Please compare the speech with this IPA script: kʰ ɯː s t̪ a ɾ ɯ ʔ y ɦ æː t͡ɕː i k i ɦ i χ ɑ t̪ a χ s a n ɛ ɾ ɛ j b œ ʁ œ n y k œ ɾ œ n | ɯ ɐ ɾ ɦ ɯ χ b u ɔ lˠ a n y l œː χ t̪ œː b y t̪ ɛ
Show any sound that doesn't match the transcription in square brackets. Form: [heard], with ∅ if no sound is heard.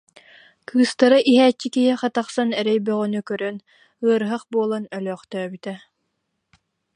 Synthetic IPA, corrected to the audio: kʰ ɯː s t̪ a ɾ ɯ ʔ [i] ɦ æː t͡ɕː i k i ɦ i χ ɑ t̪ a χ s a n ɛ ɾ ɛ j b œ ʁ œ n y k œ ɾ œ n | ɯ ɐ ɾ ɦ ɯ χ b u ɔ lˠ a n [œ] l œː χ t̪ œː b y t̪ ɛ